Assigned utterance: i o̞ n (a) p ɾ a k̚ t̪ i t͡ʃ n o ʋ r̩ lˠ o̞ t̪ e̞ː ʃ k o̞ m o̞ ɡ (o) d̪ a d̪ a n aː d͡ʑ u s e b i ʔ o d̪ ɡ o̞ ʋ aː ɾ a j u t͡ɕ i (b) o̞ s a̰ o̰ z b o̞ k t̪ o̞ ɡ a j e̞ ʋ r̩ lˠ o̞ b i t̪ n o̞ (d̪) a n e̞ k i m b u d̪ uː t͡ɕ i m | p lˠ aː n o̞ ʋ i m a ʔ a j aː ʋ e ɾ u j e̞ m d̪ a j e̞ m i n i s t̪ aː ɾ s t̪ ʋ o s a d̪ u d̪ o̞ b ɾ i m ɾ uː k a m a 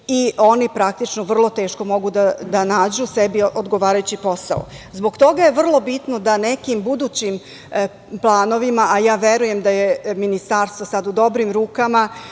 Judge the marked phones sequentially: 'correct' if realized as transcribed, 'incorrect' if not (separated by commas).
incorrect, incorrect, incorrect, correct